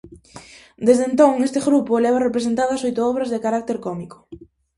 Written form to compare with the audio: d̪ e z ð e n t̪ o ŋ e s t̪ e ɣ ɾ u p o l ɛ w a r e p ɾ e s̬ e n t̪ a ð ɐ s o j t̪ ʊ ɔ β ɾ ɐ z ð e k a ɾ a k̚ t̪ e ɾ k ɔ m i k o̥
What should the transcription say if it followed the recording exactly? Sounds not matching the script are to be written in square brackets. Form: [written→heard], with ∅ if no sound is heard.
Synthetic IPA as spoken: d̪ e z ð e n t̪ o ŋ e s t̪ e ɣ ɾ u p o l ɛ [w→β] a r e p ɾ e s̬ e n t̪ a ð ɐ s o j t̪ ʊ ɔ β ɾ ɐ z ð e k a ɾ a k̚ t̪ e ɾ k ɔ m i k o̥